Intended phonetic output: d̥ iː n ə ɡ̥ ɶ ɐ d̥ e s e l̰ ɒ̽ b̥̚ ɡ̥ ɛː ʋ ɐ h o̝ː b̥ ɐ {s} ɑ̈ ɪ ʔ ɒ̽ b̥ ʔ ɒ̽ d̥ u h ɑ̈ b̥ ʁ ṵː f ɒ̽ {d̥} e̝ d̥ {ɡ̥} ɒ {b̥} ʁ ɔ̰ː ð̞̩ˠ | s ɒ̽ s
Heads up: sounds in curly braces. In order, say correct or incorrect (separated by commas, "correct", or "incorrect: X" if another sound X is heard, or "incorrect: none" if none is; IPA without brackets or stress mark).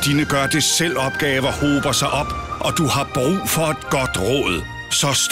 correct, incorrect: none, correct, incorrect: d̥